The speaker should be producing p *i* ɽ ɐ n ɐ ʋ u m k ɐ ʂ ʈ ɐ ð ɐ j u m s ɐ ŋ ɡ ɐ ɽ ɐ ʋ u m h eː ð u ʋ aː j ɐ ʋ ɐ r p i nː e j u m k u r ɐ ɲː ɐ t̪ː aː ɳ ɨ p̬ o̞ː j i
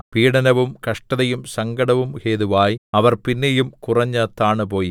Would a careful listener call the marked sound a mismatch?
yes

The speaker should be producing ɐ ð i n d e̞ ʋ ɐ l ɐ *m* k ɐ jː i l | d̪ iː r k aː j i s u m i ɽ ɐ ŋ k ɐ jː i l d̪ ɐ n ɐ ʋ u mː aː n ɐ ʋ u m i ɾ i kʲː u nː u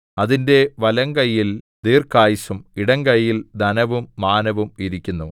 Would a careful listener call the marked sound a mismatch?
yes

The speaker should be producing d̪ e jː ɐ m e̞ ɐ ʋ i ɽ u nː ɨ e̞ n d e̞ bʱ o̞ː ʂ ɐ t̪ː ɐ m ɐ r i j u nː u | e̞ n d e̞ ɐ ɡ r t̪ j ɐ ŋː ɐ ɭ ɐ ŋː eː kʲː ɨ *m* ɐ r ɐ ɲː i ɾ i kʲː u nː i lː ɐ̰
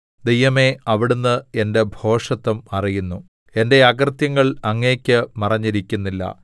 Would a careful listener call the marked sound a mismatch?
no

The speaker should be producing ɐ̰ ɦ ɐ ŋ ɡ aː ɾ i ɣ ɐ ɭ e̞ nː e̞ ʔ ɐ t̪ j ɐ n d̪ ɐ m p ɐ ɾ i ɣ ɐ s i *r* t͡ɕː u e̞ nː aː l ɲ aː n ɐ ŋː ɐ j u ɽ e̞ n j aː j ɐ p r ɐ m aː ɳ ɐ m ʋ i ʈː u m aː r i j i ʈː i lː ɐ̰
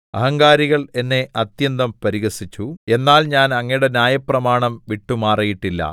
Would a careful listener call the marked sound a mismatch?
yes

